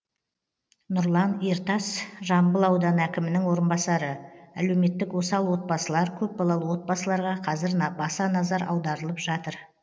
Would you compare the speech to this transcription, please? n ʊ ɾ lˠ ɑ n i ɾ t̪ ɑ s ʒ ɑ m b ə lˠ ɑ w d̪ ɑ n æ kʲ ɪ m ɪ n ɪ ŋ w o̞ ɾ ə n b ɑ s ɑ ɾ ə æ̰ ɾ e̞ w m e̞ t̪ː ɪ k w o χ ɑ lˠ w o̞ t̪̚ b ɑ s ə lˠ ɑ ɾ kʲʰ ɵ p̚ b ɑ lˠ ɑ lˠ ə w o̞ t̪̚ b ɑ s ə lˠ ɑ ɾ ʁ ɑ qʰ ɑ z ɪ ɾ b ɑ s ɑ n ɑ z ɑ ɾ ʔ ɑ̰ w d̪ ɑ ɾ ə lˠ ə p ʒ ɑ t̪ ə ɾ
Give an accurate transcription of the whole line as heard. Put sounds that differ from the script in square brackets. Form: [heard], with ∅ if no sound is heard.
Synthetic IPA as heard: n ʊ ɾ lˠ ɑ n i ɾ t̪ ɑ s ʒ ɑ m b ə lˠ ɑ w d̪ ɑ n æ kʲ ɪ m ɪ n ɪ ŋ w o̞ ɾ ə n b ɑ s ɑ ɾ ə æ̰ [l] e̞ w m e̞ t̪ː ɪ k w o [s] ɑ lˠ w o̞ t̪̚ b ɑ s ə lˠ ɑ ɾ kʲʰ ɵ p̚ b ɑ lˠ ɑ lˠ ə w o̞ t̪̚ b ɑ s ə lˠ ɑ ɾ ʁ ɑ qʰ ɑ z ɪ ɾ b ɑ s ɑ n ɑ z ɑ ɾ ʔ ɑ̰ w d̪ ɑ ɾ ə lˠ ə p ʒ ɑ t̪ ə ɾ